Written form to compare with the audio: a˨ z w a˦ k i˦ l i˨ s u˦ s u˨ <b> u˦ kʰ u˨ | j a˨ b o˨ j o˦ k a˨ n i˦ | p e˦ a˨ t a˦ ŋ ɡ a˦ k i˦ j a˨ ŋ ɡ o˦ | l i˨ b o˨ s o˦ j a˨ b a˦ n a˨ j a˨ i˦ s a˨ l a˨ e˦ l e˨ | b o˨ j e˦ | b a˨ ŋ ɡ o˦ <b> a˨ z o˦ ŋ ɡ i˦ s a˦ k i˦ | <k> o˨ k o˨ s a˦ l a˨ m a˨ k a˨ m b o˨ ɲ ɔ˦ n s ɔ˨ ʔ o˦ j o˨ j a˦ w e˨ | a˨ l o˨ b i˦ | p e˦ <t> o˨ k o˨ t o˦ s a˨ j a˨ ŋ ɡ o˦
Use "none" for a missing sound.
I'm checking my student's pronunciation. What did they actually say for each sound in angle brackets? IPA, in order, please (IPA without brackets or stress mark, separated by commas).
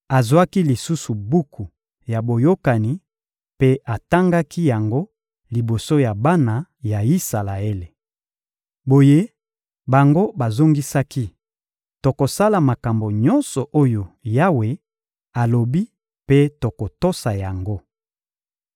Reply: b, b, t, t